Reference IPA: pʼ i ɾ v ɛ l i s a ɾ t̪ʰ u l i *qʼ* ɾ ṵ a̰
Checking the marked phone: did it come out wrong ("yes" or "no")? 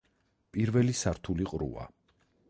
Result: no